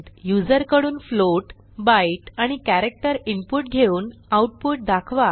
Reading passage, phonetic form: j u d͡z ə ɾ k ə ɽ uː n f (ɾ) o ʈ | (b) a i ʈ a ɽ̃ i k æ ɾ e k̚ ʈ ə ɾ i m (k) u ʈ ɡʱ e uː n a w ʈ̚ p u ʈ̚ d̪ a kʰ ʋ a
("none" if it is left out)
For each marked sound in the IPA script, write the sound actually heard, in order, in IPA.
l, b, p

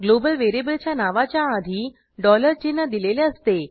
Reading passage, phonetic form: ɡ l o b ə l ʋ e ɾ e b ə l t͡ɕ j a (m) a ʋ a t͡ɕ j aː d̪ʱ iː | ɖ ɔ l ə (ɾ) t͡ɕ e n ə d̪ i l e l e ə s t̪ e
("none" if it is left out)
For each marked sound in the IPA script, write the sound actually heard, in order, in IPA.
n, ɾ

